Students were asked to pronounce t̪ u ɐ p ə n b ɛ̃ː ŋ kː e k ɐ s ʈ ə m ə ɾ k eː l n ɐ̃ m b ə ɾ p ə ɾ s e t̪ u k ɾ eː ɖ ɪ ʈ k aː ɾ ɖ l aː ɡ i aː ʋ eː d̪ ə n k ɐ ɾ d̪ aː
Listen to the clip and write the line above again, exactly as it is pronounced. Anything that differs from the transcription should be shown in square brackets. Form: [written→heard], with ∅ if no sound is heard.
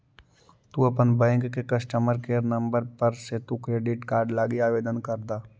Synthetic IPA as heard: t̪ u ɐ p ə n b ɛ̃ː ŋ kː e k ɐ s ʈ ə m ə ɾ k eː [l→ɾ] n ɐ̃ m b ə ɾ p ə ɾ s e t̪ u k ɾ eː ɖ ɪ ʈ k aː ɾ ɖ l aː ɡ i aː ʋ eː d̪ ə n k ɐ ɾ d̪ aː